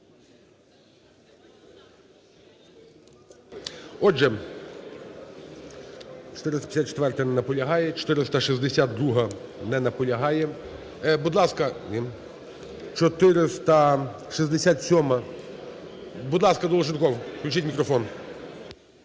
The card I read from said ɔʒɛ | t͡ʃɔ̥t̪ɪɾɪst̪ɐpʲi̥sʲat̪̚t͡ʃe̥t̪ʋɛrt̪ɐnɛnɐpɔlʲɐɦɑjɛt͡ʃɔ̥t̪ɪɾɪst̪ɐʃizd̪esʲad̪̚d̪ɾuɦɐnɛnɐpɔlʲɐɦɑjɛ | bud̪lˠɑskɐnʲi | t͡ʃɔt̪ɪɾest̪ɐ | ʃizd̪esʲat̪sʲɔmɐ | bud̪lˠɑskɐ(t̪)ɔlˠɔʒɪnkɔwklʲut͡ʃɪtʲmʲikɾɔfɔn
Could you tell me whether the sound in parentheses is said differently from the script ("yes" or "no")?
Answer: yes